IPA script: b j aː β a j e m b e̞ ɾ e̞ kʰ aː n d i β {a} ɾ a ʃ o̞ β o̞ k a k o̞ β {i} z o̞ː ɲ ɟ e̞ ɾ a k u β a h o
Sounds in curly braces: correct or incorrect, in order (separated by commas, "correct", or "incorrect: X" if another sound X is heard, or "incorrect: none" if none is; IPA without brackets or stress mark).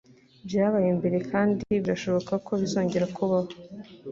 incorrect: i, correct